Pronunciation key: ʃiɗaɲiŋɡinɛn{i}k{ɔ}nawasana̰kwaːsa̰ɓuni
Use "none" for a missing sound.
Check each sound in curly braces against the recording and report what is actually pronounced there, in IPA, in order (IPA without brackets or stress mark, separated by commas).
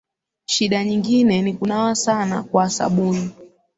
i, u